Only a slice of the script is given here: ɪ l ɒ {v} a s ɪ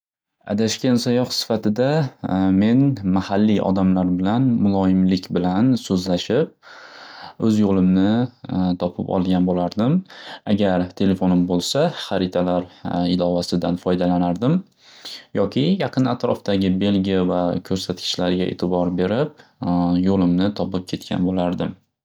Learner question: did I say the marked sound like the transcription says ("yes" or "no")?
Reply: yes